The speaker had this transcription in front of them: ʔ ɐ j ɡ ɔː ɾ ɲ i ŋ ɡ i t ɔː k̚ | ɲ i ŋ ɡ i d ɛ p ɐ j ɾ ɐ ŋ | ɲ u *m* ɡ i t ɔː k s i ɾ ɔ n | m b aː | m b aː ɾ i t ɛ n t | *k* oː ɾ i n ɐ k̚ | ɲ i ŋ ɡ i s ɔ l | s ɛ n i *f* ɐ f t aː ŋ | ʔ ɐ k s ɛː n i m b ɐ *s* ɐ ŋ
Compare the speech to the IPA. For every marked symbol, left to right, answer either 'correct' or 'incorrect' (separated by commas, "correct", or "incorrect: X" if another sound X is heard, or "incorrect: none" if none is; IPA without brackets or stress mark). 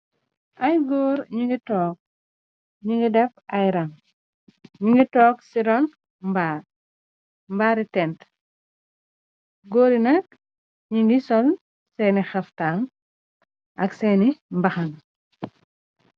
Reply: incorrect: ŋ, incorrect: ɡ, incorrect: x, incorrect: x